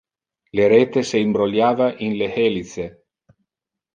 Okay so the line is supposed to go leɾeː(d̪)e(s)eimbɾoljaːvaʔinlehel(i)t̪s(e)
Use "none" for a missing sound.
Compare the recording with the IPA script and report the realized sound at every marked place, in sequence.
t̪, s, i, e

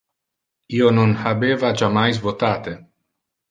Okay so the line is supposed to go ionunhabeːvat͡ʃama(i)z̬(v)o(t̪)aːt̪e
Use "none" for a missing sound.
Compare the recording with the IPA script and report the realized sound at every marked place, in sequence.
j, v, t̪

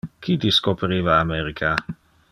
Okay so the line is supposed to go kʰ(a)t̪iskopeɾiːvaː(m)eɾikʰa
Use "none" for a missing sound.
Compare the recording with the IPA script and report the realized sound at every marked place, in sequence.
i, m

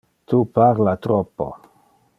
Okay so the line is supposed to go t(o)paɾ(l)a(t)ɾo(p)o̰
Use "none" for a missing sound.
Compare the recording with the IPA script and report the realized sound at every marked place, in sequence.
u, l, t, p

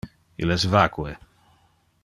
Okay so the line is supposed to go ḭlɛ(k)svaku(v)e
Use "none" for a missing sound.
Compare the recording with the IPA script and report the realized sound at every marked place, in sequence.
none, none

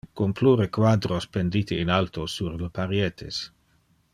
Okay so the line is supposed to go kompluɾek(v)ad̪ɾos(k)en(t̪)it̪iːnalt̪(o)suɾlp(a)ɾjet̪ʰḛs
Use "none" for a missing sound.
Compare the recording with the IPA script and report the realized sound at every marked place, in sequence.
w, p, d̪, o, a

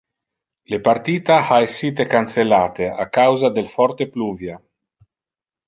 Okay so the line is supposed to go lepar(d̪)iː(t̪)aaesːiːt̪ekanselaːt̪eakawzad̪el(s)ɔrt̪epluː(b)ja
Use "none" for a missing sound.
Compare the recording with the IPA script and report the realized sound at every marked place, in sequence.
t̪, t̪, f, v

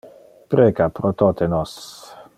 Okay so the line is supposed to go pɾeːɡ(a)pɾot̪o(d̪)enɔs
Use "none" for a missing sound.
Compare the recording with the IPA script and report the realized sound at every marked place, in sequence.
a, t̪

